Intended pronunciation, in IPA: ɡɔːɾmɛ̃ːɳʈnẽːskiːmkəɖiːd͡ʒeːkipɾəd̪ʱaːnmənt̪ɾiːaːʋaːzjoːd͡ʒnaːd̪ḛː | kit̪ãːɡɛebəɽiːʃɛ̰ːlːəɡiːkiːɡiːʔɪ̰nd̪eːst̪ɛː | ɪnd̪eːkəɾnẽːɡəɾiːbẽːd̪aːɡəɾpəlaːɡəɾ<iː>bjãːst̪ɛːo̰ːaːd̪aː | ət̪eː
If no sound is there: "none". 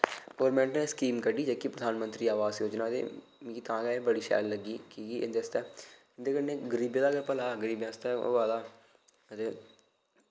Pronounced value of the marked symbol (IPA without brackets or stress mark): iː